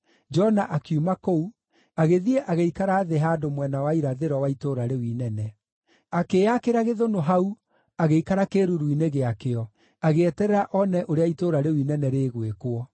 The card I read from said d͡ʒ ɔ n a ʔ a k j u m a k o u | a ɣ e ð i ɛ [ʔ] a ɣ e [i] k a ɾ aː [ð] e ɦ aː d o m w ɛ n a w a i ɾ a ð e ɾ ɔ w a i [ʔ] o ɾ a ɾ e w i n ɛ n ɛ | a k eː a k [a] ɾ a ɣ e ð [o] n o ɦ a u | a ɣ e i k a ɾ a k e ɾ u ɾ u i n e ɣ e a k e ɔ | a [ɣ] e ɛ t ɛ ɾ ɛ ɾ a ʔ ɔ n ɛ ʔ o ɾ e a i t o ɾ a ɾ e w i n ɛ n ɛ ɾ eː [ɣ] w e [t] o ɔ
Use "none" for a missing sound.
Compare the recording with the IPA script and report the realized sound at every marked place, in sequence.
ʔ, i, ð, t, e, o, ɣ, ɣ, k

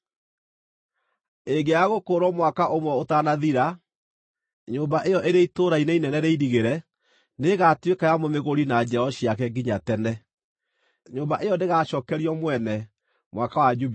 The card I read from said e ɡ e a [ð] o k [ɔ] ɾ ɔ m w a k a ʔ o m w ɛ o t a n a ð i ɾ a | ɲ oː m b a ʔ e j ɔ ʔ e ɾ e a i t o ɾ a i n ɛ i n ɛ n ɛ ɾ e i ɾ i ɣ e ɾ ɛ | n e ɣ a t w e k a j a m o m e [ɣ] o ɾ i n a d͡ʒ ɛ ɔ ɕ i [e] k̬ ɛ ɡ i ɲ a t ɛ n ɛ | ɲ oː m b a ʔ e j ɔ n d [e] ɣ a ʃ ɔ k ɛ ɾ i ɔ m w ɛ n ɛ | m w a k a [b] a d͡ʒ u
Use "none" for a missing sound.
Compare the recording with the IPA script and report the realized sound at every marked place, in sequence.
ɣ, o, ɣ, a, e, w

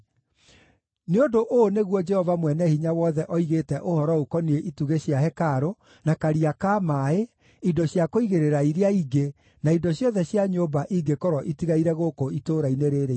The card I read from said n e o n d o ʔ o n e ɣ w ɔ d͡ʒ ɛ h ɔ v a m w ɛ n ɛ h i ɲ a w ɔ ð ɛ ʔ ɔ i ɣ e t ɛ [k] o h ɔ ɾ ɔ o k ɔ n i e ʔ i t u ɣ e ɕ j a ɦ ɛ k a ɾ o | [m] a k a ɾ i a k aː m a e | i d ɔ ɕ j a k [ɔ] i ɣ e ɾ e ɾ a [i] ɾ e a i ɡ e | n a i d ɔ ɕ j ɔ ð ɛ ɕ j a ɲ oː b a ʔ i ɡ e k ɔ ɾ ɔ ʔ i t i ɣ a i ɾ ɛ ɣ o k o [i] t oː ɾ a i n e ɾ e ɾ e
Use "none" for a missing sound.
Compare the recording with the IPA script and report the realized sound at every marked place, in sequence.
ʔ, n, o, i, i

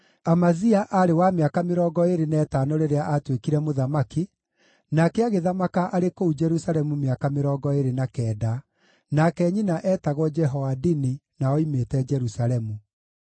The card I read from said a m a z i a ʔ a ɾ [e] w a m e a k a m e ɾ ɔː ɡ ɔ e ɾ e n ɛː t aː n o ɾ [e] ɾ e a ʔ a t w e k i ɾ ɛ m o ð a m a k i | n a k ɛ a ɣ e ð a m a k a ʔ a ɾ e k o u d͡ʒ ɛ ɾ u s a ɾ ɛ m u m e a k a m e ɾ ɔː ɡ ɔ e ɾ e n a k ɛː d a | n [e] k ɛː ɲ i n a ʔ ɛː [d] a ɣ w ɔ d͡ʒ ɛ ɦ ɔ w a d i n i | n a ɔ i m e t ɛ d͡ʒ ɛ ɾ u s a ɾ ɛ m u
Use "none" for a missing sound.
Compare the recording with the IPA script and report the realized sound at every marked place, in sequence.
e, e, a, t

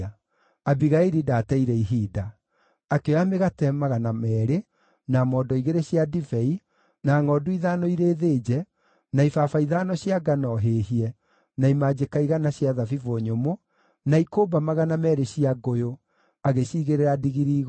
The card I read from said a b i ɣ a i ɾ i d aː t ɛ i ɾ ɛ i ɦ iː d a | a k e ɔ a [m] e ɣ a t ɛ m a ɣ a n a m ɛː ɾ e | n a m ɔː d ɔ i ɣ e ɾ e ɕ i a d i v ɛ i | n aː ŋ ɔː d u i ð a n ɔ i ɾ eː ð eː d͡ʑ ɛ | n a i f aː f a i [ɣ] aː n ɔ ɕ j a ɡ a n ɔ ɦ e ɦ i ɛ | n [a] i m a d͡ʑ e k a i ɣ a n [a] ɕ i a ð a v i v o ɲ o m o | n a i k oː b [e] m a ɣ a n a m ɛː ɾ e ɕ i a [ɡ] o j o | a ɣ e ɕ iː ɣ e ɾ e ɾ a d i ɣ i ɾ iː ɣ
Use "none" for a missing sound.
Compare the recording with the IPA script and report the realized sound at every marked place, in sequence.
m, ð, a, a, a, ɡ

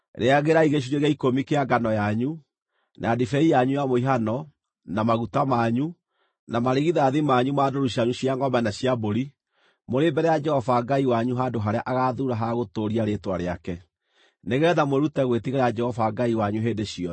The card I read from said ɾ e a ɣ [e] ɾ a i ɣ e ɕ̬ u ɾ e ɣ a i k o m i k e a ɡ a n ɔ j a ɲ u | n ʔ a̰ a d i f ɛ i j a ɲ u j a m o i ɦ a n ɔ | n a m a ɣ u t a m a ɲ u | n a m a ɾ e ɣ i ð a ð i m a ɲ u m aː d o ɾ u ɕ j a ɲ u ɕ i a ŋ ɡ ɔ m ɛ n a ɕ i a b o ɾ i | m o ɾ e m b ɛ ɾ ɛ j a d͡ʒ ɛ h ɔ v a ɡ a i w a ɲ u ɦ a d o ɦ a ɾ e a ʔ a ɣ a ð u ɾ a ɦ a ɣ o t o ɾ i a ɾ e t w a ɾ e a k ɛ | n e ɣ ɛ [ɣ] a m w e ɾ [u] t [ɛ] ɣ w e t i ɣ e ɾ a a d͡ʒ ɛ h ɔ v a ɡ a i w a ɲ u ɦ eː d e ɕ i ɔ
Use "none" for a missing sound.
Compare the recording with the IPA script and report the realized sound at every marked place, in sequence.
e, ð, u, ɛ

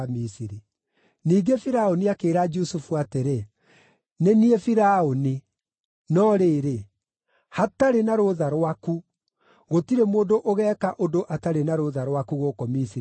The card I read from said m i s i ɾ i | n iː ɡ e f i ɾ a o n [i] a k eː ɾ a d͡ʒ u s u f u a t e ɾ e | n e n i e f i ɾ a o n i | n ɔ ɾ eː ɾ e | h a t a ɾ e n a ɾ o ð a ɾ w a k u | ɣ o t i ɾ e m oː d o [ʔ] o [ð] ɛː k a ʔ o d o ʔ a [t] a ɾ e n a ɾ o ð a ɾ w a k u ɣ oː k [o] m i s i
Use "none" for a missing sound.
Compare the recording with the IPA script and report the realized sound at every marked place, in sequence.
i, ʔ, ɣ, t, ɔ

